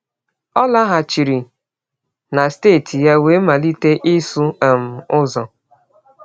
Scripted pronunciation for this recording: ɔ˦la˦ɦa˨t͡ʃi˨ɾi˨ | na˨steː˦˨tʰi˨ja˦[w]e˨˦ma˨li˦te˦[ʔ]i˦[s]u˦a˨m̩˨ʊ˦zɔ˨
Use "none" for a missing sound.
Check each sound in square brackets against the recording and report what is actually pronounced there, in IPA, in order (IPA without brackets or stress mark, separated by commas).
w, ʔ, s